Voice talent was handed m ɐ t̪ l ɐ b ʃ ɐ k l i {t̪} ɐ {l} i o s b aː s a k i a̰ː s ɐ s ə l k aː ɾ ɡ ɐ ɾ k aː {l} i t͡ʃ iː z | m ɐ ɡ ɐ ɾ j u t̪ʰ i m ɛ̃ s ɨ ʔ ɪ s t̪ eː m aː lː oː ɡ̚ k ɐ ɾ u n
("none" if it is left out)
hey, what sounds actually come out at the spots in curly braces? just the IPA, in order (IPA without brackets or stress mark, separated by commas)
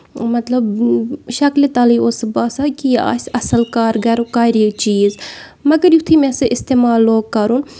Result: t̪, l, ɾ